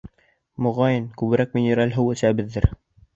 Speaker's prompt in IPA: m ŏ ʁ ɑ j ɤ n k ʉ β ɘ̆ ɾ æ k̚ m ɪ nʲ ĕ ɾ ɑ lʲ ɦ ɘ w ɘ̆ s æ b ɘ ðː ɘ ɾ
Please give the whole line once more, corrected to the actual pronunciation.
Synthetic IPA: m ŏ ʁ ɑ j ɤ n k ʉ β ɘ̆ ɾ æ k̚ m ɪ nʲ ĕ ɾ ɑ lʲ ɦ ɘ w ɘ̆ s æ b ɘ ðː ɘ ɾ